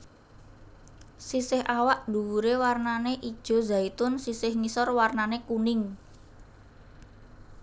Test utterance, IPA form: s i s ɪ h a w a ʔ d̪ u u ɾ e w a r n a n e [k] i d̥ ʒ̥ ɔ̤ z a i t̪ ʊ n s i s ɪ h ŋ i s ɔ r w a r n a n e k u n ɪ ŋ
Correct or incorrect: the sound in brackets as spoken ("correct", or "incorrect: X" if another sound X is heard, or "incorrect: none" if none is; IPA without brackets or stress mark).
incorrect: ʔ